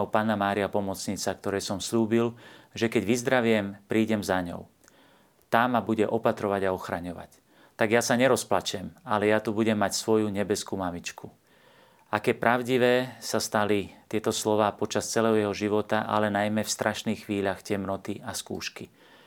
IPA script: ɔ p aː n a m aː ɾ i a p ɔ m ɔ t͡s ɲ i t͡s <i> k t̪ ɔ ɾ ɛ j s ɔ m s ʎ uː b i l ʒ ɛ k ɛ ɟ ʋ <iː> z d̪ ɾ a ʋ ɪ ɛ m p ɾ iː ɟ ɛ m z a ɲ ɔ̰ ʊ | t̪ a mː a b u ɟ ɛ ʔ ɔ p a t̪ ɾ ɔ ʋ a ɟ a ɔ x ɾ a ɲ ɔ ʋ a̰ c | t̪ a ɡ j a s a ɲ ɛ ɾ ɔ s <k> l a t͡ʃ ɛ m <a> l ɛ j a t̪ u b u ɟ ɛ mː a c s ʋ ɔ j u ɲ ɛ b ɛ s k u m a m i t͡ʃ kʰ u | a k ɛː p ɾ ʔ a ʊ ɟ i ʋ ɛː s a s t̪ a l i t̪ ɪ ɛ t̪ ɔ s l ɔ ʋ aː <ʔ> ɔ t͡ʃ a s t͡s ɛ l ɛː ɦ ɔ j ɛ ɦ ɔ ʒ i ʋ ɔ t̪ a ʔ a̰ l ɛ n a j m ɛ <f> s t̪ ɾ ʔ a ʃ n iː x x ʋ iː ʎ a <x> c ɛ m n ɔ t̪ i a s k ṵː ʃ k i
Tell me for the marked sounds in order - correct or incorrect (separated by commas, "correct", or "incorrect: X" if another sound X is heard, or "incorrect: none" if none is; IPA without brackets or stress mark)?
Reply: incorrect: a, incorrect: i, incorrect: p, correct, incorrect: p, correct, correct